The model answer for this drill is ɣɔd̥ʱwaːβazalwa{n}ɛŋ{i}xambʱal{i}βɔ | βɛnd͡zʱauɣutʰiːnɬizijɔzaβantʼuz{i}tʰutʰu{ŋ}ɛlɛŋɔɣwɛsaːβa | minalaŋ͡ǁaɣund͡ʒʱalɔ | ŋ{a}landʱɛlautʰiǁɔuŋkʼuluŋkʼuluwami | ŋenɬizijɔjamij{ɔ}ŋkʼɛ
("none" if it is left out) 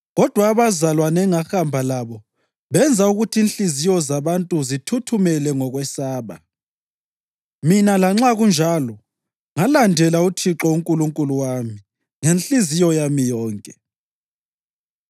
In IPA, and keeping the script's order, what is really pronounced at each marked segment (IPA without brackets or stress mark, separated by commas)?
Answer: n, a, a, i, m, a, ɔː